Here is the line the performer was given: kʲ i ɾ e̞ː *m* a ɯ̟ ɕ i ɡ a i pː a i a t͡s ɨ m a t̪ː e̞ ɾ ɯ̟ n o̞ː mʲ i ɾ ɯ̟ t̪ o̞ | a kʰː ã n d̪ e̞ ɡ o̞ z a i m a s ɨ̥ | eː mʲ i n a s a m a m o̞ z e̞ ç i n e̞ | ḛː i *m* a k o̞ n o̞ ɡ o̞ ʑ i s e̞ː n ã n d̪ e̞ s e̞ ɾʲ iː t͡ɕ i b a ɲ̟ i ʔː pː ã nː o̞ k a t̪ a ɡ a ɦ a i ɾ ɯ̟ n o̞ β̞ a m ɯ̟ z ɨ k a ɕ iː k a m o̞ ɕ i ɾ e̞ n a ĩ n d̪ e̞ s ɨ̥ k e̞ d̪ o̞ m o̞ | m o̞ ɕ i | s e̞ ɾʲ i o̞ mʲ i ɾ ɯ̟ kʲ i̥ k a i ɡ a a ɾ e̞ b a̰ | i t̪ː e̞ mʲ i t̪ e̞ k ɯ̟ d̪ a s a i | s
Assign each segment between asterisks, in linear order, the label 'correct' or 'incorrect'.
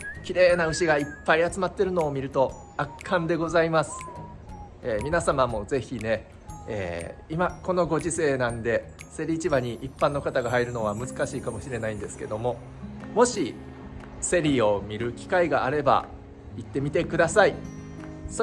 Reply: incorrect, correct

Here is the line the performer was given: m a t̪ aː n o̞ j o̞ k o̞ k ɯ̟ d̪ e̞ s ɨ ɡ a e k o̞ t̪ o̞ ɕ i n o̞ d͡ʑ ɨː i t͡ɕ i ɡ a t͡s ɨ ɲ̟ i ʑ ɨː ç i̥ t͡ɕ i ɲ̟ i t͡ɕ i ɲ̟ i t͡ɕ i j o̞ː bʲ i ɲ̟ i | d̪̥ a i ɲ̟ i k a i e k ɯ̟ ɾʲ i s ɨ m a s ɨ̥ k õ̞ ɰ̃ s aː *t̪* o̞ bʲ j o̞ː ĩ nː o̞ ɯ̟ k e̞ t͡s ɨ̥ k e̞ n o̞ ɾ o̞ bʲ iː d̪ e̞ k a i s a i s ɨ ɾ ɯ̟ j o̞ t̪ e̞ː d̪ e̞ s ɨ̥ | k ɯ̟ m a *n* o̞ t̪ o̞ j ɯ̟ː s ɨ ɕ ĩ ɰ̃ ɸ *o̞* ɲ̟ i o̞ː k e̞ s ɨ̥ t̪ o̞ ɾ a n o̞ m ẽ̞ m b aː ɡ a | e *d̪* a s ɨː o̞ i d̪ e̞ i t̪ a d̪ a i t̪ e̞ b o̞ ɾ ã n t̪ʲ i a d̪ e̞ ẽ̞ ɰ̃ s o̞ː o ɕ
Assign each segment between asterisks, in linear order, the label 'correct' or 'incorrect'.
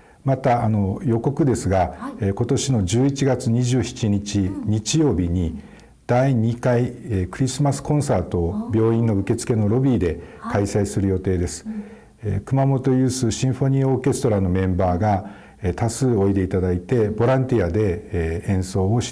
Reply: correct, incorrect, correct, incorrect

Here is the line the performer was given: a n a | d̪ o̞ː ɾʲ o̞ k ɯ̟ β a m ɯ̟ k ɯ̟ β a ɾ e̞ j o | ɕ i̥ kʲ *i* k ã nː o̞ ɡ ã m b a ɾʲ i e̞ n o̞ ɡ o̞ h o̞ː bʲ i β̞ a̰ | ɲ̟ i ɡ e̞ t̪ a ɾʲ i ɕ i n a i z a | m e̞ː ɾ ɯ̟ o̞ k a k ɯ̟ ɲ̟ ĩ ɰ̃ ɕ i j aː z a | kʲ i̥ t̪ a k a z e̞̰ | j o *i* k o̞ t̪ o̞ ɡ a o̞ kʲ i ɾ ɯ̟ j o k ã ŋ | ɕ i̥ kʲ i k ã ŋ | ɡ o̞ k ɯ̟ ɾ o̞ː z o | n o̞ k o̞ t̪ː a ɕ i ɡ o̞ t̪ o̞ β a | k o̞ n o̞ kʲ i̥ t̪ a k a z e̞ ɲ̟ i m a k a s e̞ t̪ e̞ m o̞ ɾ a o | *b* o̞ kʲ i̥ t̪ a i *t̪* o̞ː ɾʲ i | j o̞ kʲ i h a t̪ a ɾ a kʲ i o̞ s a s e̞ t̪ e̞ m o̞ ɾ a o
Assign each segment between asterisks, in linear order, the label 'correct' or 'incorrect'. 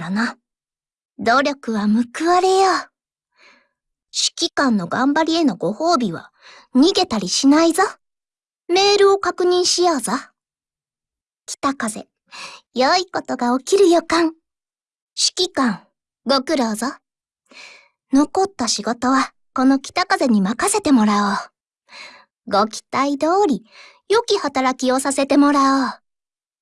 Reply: correct, correct, incorrect, incorrect

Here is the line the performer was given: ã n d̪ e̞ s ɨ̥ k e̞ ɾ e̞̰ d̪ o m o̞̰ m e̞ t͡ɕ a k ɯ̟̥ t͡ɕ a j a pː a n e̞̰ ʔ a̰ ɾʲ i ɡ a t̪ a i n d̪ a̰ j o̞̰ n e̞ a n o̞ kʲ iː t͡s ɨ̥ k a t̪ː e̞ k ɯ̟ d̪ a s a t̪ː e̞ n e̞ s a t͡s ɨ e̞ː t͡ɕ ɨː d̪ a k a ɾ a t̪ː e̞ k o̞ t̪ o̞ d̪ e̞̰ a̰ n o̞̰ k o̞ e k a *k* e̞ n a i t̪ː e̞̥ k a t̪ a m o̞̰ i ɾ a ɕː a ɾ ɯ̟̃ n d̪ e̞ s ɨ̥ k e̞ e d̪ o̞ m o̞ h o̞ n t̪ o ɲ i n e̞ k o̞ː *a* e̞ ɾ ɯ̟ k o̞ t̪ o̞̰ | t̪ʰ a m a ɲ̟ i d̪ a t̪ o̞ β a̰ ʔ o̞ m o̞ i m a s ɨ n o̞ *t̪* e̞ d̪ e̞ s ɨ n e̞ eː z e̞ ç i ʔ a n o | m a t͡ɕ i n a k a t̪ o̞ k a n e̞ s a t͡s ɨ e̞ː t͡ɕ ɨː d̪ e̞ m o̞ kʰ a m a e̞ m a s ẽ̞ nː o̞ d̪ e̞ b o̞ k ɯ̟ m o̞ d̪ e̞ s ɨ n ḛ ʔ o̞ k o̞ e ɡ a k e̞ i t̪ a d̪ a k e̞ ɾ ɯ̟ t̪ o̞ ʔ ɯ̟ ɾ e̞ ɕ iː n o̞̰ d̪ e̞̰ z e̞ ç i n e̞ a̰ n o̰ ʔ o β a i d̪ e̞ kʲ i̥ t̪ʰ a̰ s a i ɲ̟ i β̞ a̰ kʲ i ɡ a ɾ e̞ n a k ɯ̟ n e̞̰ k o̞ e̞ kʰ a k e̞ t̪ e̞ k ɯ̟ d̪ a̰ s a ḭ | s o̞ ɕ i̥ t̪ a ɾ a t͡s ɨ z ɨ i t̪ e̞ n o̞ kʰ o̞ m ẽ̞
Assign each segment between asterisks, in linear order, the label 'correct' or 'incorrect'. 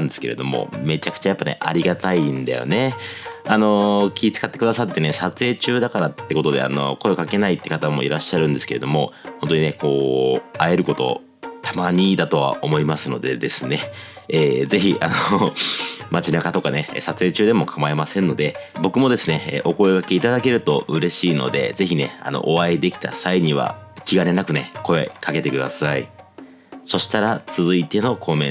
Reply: correct, correct, incorrect

